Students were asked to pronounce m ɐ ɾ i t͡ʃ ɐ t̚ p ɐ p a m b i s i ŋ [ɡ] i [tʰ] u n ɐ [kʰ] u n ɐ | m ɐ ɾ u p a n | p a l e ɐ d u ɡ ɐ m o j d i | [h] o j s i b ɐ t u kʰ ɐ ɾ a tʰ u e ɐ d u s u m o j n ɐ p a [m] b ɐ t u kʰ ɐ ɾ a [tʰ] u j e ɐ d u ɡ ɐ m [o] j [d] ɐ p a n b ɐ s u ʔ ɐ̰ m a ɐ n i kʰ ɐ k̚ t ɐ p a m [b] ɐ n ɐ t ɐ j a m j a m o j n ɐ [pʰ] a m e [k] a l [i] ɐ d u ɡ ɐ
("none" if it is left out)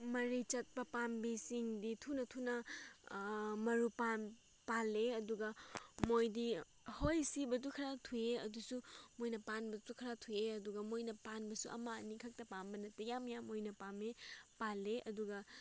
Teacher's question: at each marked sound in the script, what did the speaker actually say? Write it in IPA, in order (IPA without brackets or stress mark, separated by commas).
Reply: d, tʰ, tʰ, h, n, tʰ, o, n, b, p, p, e